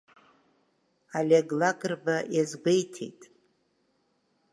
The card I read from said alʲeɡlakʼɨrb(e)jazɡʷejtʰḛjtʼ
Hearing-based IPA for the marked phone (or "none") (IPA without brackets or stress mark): a